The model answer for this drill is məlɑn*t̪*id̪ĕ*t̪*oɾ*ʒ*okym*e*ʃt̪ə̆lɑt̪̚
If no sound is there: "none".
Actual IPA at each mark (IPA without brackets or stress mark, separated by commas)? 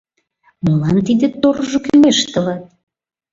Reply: t̪, t̪, ʒ, e